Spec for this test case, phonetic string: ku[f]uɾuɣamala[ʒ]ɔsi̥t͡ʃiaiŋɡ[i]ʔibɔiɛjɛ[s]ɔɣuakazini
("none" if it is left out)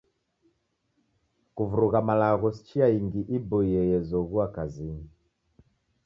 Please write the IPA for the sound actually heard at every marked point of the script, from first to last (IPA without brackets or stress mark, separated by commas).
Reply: v, ɣ, i, z